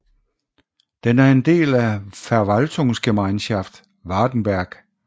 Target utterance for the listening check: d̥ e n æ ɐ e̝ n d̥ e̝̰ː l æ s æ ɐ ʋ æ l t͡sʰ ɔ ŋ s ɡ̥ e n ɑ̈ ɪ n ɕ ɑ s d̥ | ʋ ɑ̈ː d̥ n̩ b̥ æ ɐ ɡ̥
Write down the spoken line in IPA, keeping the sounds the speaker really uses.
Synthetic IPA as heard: d̥ e n æ ɐ e̝ n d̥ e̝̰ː l æ f æ ɐ ʋ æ l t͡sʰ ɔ ŋ s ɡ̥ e m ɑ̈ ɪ n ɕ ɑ f d̥ | ʋ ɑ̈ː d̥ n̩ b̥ æ ɐ ɡ̥